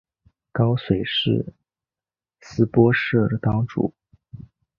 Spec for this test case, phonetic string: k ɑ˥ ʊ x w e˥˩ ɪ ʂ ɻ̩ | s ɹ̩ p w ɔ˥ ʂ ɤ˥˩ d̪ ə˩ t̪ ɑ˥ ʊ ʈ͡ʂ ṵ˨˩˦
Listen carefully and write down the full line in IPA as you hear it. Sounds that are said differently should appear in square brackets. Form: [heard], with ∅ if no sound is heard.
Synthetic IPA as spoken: k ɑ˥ ʊ [s] w [e˨˩] ɪ ʂ ɻ̩ | s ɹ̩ p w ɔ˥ ʂ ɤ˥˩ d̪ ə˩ t̪ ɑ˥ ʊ ʈ͡ʂ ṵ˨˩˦